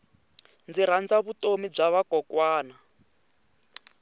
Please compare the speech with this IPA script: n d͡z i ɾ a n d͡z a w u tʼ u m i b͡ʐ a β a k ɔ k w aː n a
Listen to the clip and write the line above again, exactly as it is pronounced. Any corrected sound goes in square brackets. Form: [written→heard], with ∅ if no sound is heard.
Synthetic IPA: n d͡z i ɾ a n d͡z a [w→β] u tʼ [u→o] m i b͡ʐ a β a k ɔ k w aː n a